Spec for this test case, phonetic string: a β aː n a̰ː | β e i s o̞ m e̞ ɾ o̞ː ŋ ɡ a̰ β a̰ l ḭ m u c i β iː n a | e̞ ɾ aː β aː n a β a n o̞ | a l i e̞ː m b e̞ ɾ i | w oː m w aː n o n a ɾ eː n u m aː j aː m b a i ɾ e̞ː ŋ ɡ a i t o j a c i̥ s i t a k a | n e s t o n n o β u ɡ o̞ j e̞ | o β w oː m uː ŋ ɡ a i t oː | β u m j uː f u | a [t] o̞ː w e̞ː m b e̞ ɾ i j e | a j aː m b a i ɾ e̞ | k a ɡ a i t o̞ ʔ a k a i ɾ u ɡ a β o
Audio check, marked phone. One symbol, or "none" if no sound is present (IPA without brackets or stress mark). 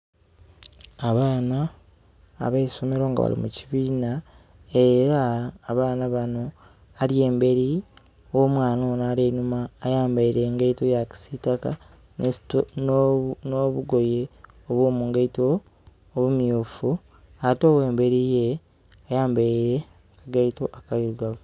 t